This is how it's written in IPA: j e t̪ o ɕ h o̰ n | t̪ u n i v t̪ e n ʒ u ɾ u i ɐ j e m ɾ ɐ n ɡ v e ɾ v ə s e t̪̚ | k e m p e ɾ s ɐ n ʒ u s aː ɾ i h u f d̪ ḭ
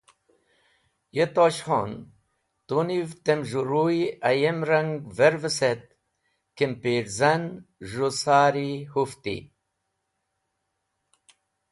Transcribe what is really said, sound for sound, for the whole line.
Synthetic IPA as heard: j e t̪ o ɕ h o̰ n | t̪ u n i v t̪ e m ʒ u ɾ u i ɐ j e m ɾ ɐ ŋ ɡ v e ɾ v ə s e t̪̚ | k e m p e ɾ z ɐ n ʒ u s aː ɾ i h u f t̪ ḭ